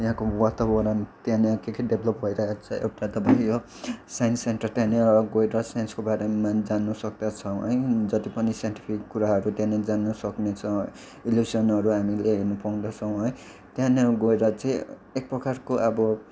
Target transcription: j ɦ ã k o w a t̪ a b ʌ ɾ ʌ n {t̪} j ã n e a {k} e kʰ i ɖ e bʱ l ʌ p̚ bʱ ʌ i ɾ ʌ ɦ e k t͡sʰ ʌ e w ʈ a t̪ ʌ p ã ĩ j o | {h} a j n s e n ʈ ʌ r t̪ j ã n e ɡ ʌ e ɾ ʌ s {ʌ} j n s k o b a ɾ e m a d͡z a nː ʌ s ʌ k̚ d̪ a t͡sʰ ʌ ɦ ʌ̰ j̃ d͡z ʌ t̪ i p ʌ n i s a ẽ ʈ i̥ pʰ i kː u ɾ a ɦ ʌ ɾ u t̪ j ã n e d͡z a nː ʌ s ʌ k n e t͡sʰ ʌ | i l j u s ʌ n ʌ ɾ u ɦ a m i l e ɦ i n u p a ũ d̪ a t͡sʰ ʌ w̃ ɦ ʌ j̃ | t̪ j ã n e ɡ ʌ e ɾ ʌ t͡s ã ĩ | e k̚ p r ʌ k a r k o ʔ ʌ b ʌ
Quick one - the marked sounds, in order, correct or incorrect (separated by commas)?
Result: correct, correct, incorrect, incorrect